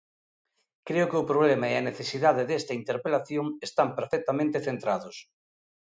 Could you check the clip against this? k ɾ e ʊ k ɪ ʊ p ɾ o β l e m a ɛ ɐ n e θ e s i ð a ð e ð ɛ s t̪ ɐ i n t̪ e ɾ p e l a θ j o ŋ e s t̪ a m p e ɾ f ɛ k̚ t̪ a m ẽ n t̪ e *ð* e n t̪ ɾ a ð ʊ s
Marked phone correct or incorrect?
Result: incorrect